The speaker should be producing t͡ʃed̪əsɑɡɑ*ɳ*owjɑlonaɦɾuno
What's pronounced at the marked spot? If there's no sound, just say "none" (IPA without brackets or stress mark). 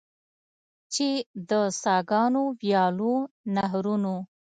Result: n